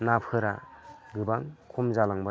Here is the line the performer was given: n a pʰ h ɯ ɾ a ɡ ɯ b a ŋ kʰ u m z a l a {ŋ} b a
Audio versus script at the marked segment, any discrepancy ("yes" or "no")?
no